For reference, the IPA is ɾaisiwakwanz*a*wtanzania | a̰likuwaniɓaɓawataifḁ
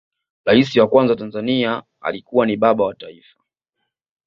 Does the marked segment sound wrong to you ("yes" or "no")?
no